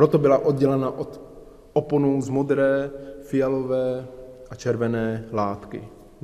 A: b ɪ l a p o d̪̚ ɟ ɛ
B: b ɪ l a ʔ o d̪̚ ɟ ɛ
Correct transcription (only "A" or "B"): B